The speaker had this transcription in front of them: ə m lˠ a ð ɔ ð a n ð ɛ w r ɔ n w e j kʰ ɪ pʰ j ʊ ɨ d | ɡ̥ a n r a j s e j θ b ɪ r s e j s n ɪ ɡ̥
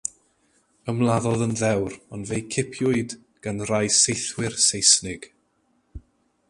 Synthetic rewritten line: ə m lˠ a ð ɔ ð ə n ð ɛ w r ɔ n v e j kʰ ɪ pʰ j ʊ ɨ d | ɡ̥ a n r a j s e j θ w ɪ r s e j s n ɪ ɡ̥